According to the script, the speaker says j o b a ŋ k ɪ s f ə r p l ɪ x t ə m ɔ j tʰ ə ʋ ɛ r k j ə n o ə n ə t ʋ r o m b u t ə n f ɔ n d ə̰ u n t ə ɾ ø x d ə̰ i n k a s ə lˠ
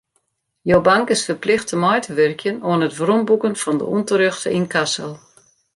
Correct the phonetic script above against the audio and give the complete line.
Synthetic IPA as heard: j o b a ŋ k ɪ s f ə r p l ɪ x t ə m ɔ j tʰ ə ʋ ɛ r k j ə n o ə n ə t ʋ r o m b u k ə n f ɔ n d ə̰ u n t ə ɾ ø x t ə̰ i n k a s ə lˠ